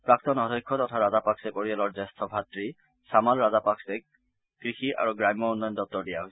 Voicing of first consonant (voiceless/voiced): voiceless